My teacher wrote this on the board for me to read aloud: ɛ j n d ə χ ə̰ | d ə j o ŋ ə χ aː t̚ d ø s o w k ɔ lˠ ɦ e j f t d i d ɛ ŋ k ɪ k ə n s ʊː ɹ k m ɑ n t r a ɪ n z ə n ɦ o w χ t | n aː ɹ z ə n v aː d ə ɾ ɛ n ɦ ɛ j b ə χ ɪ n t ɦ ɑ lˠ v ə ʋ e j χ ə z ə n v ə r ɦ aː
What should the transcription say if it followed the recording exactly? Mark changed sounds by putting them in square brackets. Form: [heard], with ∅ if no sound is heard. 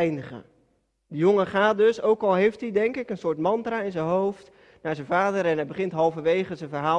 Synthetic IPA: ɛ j n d ə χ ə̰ | d ə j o ŋ ə χ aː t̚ d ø s o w k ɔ lˠ ɦ e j f t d i d ɛ ŋ k ɪ k ə n s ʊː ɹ [t] m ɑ n t r a ɪ n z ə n ɦ o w [f] t | n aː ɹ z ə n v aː d ə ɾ ɛ n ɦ ɛ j b ə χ ɪ n t ɦ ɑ lˠ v ə ʋ e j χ ə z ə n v ə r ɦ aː